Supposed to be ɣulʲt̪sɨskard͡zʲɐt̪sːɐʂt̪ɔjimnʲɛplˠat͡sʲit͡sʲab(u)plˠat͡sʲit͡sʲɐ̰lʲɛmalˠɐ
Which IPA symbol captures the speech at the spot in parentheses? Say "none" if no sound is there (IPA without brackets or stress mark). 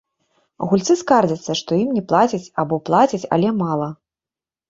ɔ